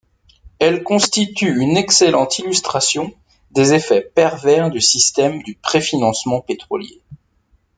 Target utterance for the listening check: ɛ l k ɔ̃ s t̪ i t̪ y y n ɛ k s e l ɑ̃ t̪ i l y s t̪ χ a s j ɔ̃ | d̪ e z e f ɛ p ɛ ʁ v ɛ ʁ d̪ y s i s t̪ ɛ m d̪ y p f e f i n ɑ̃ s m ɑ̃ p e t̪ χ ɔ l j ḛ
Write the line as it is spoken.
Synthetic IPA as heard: ɛ l k ɔ̃ s t̪ i t̪ y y n ɛ k s e l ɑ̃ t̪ i l y s t̪ χ a s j ɔ̃ | d̪ e z e f ɛ p ɛ ʁ v ɛ ʁ d̪ y s i s t̪ ɛ m d̪ y p χ e f i n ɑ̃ s m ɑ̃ p e t̪ χ ɔ l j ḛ

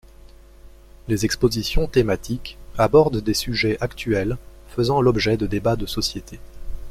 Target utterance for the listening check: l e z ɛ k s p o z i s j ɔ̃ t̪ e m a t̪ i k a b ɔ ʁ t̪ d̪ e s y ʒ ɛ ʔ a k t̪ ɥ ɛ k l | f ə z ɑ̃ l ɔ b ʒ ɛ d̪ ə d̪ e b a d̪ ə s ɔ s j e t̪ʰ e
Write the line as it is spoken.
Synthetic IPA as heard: l e z ɛ k s p o z i s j ɔ̃ t̪ e m a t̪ i k a b ɔ ʁ d̪ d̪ e s y ʒ ɛ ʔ a k t̪ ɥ ɛ l | f ə z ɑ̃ l ɔ b ʒ ɛ d̪ ə d̪ e b a d̪ ə s ɔ s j e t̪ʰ e

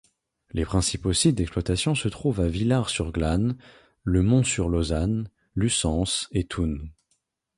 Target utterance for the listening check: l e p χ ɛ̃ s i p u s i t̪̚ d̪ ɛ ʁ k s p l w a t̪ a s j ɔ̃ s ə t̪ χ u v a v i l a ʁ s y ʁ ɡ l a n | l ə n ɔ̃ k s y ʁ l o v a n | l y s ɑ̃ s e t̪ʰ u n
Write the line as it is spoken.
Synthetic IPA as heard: l e p χ ɛ̃ s i p o s i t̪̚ d̪ ɛ k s p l w a t̪ a s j ɔ̃ s ə t̪ χ u v a v i l a ʁ s y ʁ ɡ l a n | l ə m ɔ̃ s y ʁ l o z a n | l y s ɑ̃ s e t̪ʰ u n

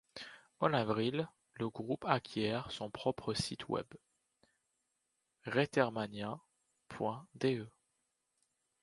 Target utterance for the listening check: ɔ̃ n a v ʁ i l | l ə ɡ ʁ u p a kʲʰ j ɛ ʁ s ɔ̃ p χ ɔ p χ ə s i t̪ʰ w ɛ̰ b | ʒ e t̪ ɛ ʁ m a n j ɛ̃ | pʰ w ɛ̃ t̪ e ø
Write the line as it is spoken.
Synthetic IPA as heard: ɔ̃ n a v ʁ i l | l ə ɡ ʁ u p a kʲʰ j ɛ ʁ s ɔ̃ p χ ɔ p χ ə s i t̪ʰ w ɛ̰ b | ʁ e t̪ ɛ ʁ m a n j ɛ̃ | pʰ w ɛ̃ d̪ e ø

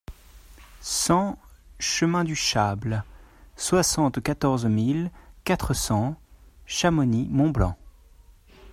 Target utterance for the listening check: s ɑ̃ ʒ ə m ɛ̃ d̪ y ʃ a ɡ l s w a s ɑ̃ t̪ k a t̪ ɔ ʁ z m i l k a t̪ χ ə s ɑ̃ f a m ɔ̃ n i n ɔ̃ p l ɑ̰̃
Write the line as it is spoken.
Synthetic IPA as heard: s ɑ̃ ʃ ə m ɛ̃ d̪ y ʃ a b l s w a s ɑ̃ t̪ k a t̪ ɔ ʁ z m i l k a t̪ χ ə s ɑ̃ ʃ a m ɔ n i m ɔ̃ b l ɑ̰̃

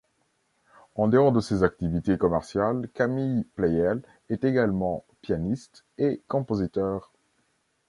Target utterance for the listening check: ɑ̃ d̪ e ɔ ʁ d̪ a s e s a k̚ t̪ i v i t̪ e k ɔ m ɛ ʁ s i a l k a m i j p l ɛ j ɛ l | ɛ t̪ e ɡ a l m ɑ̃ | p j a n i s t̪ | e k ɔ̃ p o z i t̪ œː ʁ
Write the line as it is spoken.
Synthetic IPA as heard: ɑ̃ d̪ e ɔ ʁ d̪ ə s e z a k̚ t̪ i v i t̪ e k ɔ m ɛ ʁ s j a l k a m i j p l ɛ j ɛ l | ɛ t̪ e ɡ a l m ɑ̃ | p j a n i s t̪ | e k ɔ̃ p o z i t̪ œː ʁ

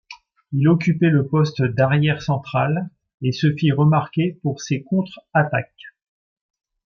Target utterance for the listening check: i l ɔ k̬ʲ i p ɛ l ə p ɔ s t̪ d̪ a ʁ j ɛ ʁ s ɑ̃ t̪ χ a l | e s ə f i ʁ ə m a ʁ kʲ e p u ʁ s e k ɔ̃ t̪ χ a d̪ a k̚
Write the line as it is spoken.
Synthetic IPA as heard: i l ɔ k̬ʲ y p ɛ l ə p ɔ s t̪ d̪ a ʁ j ɛ ʁ s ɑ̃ t̪ χ a l | e s ə f i ʁ ə m a ʁ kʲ e p u ʁ s e k ɔ̃ t̪ χ a t̪ a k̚

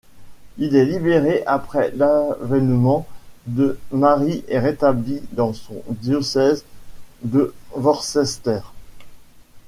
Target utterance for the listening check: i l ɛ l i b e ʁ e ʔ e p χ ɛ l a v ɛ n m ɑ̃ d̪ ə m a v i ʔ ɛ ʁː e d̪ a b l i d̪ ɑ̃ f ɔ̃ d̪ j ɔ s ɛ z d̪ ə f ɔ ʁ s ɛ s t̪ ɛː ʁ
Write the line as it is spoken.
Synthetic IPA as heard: i l ɛ l i b e ʁ e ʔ a p χ ɛ l a v ɛ n m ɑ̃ d̪ ə m a ʁ i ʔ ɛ ʁ e t̪ a b l i d̪ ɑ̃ s ɔ̃ d̪ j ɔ s ɛ z d̪ ə v ɔ ʁ s ɛ s t̪ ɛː ʁ

